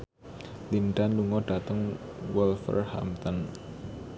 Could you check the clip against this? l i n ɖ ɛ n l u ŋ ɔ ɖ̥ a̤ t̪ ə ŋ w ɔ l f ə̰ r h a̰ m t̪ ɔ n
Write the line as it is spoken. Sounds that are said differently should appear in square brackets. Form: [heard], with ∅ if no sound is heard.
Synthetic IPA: l i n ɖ [a] n l u ŋ ɔ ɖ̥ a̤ t̪ ə ŋ w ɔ l f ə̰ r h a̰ m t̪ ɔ n